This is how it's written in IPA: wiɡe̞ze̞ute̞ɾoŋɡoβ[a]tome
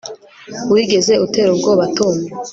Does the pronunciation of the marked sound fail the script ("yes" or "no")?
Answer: no